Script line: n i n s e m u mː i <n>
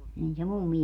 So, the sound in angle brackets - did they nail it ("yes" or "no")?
no